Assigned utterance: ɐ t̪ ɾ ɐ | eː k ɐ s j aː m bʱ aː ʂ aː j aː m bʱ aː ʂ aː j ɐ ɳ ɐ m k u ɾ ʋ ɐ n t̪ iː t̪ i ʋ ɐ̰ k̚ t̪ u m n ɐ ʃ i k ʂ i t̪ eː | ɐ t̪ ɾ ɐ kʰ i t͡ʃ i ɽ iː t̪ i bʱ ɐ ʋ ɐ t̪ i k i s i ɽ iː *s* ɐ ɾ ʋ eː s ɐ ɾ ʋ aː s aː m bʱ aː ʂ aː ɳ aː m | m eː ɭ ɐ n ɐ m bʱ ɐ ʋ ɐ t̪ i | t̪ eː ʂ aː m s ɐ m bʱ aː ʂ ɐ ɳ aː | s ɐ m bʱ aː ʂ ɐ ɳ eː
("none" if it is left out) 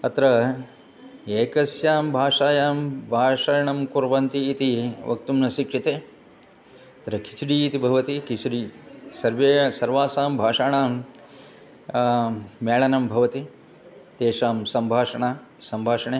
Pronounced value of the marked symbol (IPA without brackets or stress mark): s